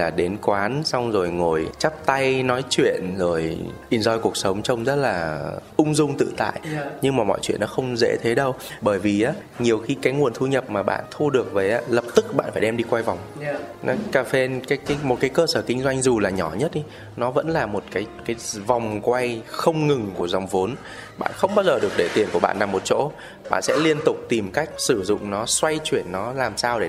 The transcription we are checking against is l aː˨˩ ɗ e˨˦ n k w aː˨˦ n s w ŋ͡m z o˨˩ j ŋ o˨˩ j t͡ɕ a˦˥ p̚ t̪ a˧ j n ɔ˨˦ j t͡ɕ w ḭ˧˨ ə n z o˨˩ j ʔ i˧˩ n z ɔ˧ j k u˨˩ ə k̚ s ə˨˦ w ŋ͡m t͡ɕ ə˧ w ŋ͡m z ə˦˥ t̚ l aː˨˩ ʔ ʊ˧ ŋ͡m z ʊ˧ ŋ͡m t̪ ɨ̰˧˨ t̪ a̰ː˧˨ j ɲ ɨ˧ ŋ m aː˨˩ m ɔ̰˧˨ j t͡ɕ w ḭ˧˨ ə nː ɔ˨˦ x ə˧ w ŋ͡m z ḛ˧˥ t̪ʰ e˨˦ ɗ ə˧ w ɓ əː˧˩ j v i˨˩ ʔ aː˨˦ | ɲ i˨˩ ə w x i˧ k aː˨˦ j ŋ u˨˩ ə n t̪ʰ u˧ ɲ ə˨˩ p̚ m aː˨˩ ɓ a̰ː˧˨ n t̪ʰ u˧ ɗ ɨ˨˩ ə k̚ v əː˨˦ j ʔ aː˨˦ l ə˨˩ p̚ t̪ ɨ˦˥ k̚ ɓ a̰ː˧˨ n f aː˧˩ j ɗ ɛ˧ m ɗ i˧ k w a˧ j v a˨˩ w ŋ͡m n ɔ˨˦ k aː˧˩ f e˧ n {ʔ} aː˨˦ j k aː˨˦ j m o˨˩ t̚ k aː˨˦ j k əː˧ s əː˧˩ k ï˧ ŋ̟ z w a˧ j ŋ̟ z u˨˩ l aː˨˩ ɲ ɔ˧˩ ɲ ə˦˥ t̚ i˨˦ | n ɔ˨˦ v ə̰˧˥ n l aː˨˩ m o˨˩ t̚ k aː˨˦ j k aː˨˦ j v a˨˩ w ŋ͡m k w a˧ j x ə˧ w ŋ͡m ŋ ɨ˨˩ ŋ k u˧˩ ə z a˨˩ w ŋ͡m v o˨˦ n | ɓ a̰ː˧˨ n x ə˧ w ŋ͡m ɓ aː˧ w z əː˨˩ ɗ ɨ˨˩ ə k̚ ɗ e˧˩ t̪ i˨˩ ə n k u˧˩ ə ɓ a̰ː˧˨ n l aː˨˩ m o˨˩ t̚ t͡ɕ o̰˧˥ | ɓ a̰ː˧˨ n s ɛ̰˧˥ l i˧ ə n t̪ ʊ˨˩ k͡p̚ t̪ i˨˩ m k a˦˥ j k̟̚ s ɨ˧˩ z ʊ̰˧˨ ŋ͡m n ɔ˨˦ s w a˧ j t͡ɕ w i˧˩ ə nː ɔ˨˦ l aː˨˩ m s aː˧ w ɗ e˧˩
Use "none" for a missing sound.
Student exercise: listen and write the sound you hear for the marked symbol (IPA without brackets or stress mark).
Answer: k